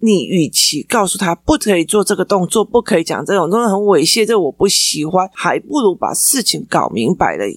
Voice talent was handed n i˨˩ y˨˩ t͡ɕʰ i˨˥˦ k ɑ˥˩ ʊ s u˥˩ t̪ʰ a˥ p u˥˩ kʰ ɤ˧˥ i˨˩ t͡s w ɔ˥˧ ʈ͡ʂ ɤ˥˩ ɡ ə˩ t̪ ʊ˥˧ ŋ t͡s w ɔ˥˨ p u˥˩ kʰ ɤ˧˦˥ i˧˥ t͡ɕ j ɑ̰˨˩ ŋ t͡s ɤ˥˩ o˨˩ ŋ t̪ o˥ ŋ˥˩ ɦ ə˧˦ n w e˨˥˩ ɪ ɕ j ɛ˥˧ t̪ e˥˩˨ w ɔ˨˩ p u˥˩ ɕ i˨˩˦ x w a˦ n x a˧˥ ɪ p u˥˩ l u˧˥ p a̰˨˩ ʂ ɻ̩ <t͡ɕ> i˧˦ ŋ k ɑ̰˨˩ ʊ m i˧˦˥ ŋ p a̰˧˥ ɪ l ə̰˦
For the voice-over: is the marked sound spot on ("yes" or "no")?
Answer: no